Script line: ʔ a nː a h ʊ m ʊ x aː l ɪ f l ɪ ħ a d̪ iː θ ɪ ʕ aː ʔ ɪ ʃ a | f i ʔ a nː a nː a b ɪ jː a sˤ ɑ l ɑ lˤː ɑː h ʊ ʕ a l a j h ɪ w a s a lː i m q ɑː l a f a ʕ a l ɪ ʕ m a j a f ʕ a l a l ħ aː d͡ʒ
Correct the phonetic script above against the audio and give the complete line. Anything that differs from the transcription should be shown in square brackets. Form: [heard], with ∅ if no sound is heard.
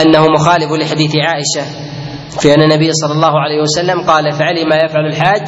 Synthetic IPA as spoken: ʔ a nː a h ʊ m ʊ x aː l ɪ f l ɪ ħ a d̪ iː θ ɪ ʕ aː ʔ ɪ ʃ a | f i ʔ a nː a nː a b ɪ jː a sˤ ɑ [lː] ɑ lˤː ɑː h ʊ ʕ a l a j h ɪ w a s a lː [a] m q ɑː l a f a ʕ a l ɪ [∅] m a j a f ʕ a l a l ħ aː d͡ʒ